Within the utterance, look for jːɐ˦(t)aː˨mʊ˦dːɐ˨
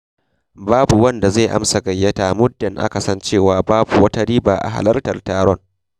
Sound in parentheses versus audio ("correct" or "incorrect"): correct